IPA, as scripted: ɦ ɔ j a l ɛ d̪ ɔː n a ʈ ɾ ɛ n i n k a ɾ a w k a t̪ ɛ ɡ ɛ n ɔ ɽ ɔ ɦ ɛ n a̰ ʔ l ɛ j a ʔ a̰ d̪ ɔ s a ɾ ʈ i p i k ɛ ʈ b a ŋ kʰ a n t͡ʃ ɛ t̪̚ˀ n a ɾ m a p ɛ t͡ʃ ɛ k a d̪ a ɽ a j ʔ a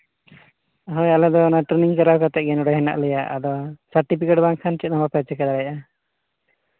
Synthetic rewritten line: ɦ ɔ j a l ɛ d̪ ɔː n a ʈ ɾ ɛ n i ŋ k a ɾ a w k a t̪ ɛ ɡ ɛ n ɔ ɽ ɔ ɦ ɛ n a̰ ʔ l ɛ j a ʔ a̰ d̪ ɔ s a ɾ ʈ i p i k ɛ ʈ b a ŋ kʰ a n t͡ʃ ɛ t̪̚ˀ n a m a p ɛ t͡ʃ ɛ k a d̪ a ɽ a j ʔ a